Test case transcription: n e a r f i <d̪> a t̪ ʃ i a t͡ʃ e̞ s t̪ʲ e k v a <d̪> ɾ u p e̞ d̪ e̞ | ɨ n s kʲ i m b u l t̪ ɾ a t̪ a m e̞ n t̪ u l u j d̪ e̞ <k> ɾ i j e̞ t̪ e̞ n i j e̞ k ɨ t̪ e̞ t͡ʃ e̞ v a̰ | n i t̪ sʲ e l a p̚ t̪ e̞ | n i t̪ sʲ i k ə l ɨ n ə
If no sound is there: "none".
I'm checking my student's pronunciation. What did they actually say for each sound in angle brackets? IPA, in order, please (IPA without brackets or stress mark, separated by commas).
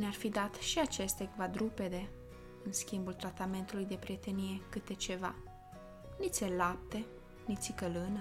d̪, d̪, p